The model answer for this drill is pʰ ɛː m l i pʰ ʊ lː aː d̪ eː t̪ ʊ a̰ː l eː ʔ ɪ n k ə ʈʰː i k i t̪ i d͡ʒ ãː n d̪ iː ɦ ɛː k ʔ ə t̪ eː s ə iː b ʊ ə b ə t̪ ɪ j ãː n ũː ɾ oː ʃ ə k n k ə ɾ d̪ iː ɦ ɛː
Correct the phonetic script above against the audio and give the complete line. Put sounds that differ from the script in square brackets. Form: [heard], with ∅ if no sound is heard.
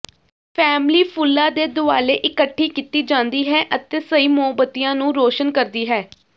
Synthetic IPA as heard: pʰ ɛː m l [iː] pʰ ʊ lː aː d̪ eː [d̪] ʊ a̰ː l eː ʔ ɪ [∅] k ə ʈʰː [iː] k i t̪ [iː] d͡ʒ ãː n d̪ iː ɦ ɛː [∅] ʔ ə t̪ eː s ə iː [m] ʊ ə b ə t̪ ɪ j ãː n ũː ɾ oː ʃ ə [∅] n k ə ɾ d̪ iː ɦ ɛː